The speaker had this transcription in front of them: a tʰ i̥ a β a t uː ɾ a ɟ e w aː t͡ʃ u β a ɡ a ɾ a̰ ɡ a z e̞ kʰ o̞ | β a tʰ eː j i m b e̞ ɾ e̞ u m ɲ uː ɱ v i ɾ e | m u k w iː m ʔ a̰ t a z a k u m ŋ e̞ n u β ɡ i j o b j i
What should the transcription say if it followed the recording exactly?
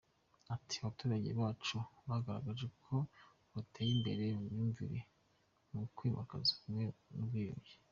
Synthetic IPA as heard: a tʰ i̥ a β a t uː ɾ a ɟ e β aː t͡ʃ u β a ɡ a ɾ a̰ ɡ a ʒ e̞ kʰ o̞ | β a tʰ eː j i m b e̞ ɾ e̞ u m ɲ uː ɱ v i ɾ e | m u k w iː m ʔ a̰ k a z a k u m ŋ e̞ n u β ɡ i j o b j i

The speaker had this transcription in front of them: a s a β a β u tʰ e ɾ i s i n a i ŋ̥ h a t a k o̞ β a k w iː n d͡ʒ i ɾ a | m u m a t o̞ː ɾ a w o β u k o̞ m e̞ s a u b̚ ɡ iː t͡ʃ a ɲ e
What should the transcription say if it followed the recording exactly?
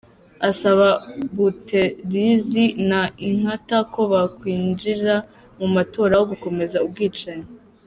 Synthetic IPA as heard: a s a β a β u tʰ e ɾ i z i n a i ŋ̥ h a t a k o̞ β a k w iː n d͡ʒ i ɾ a | m u m a t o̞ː ɾ a w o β u k o̞ m e̞ z a u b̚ ɡ iː t͡ʃ a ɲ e

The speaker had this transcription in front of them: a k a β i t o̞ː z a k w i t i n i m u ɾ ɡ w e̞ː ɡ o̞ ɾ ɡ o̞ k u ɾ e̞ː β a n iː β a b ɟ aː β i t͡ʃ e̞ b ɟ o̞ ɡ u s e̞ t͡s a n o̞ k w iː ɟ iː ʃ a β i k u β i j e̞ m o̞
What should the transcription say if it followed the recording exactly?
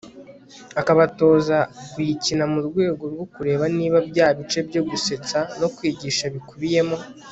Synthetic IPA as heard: a k a β a t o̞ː z a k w i c i n a m u ɾ ɡ w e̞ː ɡ o̞ ɾ ɡ o̞ k u ɾ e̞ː β a n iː β a b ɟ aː β i t͡ʃ e̞ b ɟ o̞ ɡ u s e̞ t͡s a n o̞ k w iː ɟ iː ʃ a β i k u β i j e̞ m o̞

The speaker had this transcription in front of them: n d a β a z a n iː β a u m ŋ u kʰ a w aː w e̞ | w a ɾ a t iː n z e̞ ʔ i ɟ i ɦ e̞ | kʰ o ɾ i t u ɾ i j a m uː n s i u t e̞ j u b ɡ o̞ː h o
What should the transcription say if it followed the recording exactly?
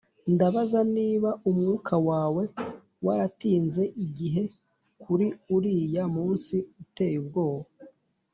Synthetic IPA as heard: n d a β a z a n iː β a u m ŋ u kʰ a w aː w e̞ | w a ɾ a t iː n z e̞ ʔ i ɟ i ɦ e̞ | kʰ u ɾ i u ɾ i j a m uː n s i u t e̞ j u b ɡ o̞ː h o

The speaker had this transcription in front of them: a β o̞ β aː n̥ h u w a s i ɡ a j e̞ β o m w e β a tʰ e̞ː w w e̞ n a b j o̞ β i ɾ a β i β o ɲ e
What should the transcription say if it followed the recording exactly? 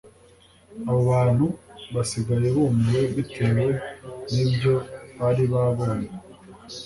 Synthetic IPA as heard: a β o̞ β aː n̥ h u β a s i ɡ a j e̞ β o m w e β i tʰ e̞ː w w e̞ n i b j o̞ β a ɾ i β a β o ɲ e

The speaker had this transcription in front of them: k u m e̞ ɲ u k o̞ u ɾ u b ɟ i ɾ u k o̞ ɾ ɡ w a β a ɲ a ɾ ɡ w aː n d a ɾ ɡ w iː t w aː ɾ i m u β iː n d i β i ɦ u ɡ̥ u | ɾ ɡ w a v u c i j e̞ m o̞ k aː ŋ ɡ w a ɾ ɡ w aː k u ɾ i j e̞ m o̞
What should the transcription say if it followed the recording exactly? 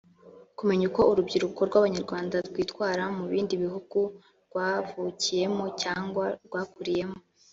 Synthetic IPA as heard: k u m e̞ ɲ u k o̞ u ɾ u b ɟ i ɾ u k o̞ ɾ ɡ w a β a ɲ a ɾ ɡ w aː n d a ɾ ɡ w iː t w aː ɾ a m u β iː n d i β i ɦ u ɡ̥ u | ɾ ɡ w a v u c i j e̞ m o̞ c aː ŋ ɡ w a ɾ ɡ w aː k u ɾ i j e̞ m o̞

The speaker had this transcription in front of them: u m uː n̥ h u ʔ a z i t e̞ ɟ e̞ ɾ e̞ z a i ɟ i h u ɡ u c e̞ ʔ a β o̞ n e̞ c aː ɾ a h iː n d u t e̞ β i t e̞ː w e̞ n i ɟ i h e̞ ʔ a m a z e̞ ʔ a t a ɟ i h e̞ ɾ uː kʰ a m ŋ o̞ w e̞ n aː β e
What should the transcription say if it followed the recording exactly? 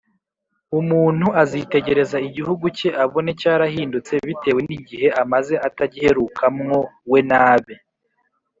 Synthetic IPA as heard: u m uː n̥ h u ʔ a z i t e̞ ɟ e̞ ɾ e̞ z a i ɟ i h u ɡ u c e̞ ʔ a β o̞ n e̞ c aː ɾ a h iː n d u t͡s e̞ β i t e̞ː w e̞ n i ɟ i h e̞ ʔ a m a z e̞ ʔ a t a ɟ i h e̞ ɾ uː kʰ a m ŋ o̞ w e̞ n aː β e

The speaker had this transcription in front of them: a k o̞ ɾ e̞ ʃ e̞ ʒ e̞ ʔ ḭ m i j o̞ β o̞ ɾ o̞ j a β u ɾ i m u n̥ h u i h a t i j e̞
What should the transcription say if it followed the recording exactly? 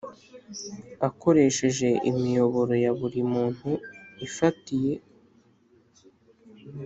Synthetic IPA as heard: a k o̞ ɾ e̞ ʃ e̞ ʒ e̞ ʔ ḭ m i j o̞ β o̞ ɾ o̞ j a β u ɾ i m uː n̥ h u i f a t i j e̞

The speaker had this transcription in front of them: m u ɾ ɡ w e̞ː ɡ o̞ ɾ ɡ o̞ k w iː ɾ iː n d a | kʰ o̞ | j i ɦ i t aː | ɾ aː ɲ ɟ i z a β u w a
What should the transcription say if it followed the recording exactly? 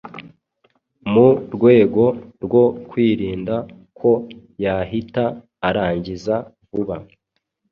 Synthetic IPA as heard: m u ɾ ɡ w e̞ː ɡ o̞ ɾ ɡ o̞ k w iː ɾ iː n d a | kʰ o̞ | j a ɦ i t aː | ɾ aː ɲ ɟ i z a v u β a

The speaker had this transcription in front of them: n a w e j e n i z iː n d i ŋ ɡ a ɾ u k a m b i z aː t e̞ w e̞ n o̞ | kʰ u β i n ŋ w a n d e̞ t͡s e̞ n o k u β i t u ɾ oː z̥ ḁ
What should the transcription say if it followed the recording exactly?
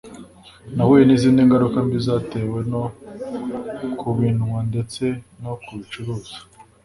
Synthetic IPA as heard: n a w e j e n i z iː n d i ŋ ɡ a ɾ u k a m b i z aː t e̞ w e̞ n o̞ | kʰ u β i n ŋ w a n d e̞ t͡s e̞ n o k u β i t͡ʃ u ɾ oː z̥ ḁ

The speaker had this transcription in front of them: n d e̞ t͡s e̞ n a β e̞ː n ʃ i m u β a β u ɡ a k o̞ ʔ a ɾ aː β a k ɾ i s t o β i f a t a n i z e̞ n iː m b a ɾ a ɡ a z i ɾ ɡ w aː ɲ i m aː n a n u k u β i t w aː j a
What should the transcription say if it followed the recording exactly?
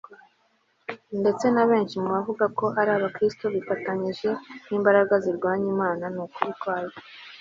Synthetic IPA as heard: n d e̞ t͡s e̞ n a β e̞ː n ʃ i m u β a v u ɡ a k o̞ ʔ a ɾ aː β a k ɾ i s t o β i f a t a ɲ i ʒ e̞ n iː m b a ɾ a ɡ a z i ɾ ɡ w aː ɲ i m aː n a n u k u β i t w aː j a

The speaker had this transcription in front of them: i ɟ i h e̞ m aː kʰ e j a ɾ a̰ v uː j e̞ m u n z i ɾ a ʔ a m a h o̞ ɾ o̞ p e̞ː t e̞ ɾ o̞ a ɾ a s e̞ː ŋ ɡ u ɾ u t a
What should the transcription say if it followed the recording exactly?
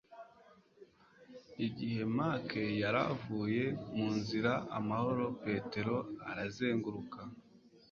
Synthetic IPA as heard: i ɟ i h e̞ m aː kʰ e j a ɾ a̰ v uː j e̞ m uː n z i ɾ a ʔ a m a h o̞ ɾ o̞ p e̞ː t e̞ ɾ o̞ a ɾ a z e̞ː ŋ ɡ u ɾ u k a

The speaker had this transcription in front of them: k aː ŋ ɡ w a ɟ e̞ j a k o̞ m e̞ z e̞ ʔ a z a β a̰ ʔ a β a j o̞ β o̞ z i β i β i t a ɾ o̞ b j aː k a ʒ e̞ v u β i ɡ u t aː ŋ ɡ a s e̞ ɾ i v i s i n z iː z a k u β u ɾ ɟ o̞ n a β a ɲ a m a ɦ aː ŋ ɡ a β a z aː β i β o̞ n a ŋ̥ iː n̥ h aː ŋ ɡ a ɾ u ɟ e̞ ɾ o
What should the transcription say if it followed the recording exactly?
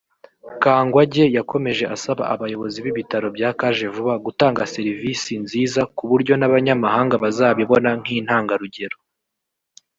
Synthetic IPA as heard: k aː ŋ ɡ w a ɟ e̞ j a k o̞ m e̞ ʒ e̞ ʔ a s a β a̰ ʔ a β a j o̞ β o̞ z i β i β i t a ɾ o̞ b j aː k a ʒ e̞ v u β a ɡ u t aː ŋ ɡ a s e̞ ɾ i v i s i n z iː z a k u β u ɾ ɟ o̞ n a β a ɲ a m a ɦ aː ŋ ɡ a β a z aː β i β o̞ n a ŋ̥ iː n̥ h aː ŋ ɡ a ɾ u ɟ e̞ ɾ o

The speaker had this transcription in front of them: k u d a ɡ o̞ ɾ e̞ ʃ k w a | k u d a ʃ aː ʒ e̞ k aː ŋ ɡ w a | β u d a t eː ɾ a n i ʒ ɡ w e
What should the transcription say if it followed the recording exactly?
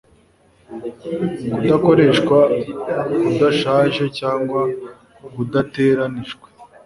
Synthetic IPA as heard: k u d a k o̞ ɾ e̞ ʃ k w a | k u d a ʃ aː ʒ e̞ c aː ŋ ɡ w a | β u d a t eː ɾ a n i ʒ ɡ w e

